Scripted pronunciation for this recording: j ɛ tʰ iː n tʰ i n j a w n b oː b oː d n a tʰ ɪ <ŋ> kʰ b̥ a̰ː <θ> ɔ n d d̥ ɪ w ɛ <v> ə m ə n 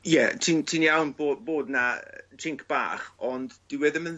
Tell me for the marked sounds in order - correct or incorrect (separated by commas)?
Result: correct, incorrect, incorrect